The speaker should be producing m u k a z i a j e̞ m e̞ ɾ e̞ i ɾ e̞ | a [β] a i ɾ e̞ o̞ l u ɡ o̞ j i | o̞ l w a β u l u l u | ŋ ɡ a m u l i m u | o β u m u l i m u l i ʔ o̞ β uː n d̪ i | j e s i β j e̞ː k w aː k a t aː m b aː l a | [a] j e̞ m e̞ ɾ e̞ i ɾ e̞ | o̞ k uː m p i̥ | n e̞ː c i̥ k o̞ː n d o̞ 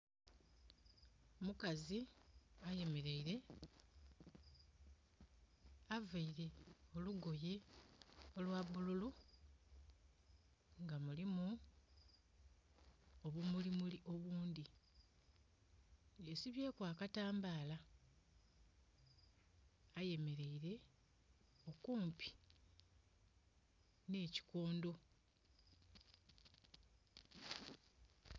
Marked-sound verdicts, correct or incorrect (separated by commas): incorrect, correct